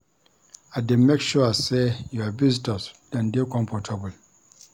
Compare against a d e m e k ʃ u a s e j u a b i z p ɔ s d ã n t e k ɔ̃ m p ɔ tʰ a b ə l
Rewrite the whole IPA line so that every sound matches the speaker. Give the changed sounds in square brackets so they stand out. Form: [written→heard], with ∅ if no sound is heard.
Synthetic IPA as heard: a d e m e k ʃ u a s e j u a b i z [p→t] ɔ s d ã n [t→d] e k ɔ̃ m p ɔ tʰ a b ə l